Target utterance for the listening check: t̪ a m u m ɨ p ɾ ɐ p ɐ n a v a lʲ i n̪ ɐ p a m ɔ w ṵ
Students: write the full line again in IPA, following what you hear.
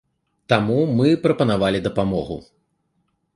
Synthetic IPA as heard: t̪ a m u m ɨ p ɾ ɐ p ɐ n a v a lʲ i d̪ ɐ p a m ɔ ɣ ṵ